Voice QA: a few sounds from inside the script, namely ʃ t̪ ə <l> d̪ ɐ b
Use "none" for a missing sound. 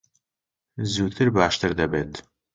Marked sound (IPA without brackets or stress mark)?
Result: ɾ